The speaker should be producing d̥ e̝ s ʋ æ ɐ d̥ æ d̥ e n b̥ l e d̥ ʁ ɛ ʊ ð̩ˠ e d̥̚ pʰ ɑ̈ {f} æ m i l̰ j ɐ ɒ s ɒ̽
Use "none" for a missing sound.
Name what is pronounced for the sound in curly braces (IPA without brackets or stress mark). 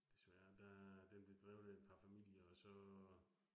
f